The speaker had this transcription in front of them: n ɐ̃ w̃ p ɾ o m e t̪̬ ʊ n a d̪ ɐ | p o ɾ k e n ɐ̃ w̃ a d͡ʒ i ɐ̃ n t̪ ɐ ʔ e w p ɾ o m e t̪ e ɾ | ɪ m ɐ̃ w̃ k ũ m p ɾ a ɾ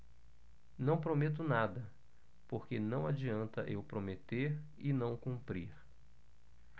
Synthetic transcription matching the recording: n ɐ̃ w̃ p ɾ o m e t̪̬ ʊ n a d̪ ɐ | p o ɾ k e n ɐ̃ w̃ a d͡ʒ i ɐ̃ n t̪ ɐ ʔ e w p ɾ o m e t̪ e ɾ | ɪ n ɐ̃ w̃ k ũ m p ɾ i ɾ